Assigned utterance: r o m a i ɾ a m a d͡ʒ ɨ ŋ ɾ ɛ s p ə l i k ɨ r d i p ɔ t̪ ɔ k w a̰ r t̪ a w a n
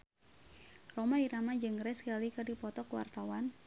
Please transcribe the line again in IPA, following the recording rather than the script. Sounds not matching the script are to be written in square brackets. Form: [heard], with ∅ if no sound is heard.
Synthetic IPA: r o m a i ɾ a m a d͡ʒ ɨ ŋ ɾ ɛ s [k] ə l i k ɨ r d i p ɔ t̪ ɔ k w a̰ r t̪ a w a n